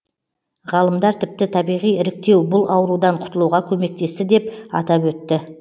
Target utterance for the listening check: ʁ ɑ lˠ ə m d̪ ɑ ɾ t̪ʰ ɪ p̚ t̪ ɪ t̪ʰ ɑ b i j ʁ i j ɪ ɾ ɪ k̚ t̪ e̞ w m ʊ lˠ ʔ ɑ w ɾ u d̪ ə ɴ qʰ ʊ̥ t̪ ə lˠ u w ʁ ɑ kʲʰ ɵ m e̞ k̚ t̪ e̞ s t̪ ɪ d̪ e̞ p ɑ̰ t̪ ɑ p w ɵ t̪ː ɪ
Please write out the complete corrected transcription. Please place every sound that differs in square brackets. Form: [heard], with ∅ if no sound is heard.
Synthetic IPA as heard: ʁ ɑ lˠ ə m d̪ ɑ ɾ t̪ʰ ɪ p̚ t̪ ɪ t̪ʰ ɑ b i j ʁ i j ɪ ɾ ɪ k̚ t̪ e̞ w [b] ʊ lˠ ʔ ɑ w ɾ u d̪ [ɑ] ɴ qʰ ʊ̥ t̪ ə lˠ u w ʁ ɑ kʲʰ ɵ m e̞ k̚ t̪ e̞ s t̪ ɪ d̪ e̞ p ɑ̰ t̪ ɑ p w ɵ t̪ː ɪ